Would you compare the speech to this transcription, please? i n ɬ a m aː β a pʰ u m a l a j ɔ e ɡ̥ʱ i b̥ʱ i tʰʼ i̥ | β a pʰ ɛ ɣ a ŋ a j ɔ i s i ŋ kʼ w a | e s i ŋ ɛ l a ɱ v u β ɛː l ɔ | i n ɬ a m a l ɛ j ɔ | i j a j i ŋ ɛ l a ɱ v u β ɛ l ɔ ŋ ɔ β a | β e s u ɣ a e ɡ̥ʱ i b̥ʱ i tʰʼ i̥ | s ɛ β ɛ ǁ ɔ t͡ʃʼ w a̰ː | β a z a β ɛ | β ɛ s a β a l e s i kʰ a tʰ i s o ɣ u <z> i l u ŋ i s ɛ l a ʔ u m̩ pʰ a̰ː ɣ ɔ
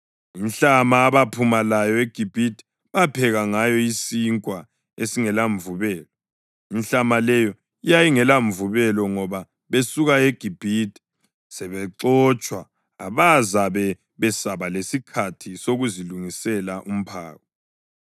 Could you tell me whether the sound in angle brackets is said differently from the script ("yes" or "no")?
no